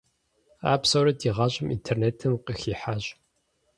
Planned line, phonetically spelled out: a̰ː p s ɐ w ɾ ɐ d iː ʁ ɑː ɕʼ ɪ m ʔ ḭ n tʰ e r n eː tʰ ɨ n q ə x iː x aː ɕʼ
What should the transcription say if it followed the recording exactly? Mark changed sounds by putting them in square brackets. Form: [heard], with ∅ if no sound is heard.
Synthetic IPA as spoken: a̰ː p s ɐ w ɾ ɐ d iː ʁ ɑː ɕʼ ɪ m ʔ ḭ n tʰ e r n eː tʰ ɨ [m] q ə x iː [ħ] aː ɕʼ